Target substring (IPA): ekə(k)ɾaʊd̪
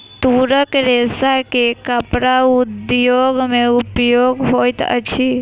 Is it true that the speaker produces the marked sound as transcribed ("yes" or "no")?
no